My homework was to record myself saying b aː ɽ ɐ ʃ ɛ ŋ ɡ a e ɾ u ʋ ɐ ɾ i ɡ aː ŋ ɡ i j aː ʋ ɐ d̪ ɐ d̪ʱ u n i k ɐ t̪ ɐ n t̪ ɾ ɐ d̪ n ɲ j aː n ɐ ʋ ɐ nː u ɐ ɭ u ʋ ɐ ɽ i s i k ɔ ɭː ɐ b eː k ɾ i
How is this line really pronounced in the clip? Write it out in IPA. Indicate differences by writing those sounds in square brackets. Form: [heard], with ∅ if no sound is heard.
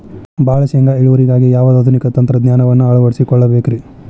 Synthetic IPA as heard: b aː [ɭ] ɐ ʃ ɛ ŋ ɡ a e [ɭ] u ʋ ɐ ɾ i ɡ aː [∅] ɡ i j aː ʋ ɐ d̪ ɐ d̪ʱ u n i k ɐ t̪ ɐ n t̪ ɾ ɐ d̪ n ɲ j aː n ɐ ʋ ɐ nː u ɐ ɭ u ʋ ɐ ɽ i s i k ɔ ɭː ɐ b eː k ɾ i